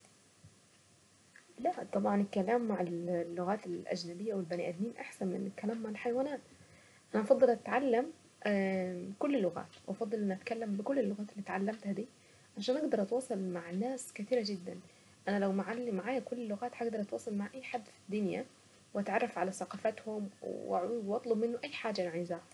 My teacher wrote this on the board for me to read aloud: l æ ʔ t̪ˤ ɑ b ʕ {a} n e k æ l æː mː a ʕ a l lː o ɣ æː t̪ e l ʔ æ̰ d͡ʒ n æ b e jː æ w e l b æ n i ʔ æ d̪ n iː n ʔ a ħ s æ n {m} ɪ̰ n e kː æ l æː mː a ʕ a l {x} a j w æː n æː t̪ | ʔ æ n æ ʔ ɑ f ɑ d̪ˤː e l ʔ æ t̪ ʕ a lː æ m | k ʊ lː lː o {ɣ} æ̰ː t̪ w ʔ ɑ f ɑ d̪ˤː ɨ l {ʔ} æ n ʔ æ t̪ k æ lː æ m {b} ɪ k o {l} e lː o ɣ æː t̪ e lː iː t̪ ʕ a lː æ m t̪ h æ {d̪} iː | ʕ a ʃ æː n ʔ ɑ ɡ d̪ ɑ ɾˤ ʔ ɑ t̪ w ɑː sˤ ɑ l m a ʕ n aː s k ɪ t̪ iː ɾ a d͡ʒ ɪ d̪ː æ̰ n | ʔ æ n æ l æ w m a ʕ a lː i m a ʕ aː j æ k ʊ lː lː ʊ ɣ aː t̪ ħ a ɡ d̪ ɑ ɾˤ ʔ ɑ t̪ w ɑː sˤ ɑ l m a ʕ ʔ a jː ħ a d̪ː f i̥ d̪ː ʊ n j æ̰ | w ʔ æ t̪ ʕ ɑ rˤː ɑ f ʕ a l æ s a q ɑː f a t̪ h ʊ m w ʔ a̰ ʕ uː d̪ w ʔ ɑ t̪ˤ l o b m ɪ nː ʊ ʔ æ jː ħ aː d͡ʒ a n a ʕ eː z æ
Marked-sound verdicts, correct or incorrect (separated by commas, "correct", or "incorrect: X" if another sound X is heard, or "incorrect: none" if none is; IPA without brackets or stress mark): incorrect: ɑ, correct, incorrect: ħ, correct, correct, correct, incorrect: lː, correct